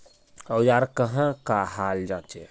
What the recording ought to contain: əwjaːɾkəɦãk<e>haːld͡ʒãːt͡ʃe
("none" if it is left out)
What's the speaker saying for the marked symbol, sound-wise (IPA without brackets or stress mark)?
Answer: a